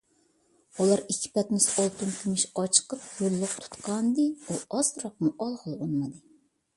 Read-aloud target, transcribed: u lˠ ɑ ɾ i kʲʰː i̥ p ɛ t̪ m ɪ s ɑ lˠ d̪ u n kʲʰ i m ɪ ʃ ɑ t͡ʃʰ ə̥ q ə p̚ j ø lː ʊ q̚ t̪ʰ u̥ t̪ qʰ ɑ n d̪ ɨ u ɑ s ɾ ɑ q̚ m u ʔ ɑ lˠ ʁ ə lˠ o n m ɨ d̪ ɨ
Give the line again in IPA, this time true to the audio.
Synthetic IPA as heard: u lˠ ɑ ɾ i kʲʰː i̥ p ɛ t̪ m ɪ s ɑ lˠ t̪ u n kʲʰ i m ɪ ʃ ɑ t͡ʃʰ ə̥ q ə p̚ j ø lː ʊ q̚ t̪ʰ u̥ t̪ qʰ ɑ n d̪ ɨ u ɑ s ɾ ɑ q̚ m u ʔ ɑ lˠ ʁ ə lˠ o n m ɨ d̪ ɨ